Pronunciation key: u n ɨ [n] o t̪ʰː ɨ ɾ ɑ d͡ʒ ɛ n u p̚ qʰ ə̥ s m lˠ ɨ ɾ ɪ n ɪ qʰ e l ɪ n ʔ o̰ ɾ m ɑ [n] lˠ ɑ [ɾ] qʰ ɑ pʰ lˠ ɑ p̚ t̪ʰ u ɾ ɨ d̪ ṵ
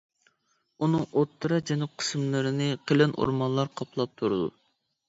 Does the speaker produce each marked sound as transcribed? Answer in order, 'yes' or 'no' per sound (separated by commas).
no, yes, yes